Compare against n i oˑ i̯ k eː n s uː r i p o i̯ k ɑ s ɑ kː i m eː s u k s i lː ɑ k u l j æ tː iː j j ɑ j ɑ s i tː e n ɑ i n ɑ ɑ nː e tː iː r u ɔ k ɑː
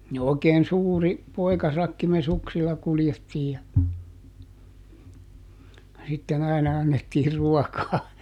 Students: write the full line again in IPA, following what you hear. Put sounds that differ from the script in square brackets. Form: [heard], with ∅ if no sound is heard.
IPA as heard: n i oˑ i̯ k eː n s uː r i p o i̯ k ɑ s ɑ kː i m [e] s u k s i lː ɑ k u l j [e] tː iː j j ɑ j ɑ s i tː e n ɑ i n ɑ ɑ nː e tː iː r u ɔ k ɑː